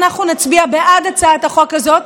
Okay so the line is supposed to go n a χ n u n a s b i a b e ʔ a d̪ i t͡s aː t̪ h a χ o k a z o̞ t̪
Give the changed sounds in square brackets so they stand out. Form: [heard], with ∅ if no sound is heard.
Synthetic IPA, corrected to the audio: n a χ n u n a [t͡s] b i a b e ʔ a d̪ [a] t͡s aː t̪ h a χ o k a z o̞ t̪